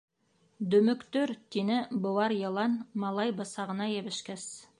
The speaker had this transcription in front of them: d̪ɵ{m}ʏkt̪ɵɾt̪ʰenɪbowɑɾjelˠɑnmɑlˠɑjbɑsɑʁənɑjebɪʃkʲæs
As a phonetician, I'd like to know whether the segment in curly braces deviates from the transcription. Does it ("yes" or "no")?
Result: no